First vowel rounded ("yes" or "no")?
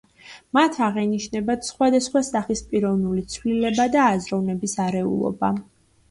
no